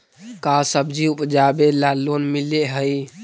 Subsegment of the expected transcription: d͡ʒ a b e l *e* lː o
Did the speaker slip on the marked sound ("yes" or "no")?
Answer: yes